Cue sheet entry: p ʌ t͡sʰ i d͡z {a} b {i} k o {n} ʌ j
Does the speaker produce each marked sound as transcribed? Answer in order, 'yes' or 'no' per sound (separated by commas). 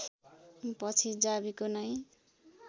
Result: yes, yes, yes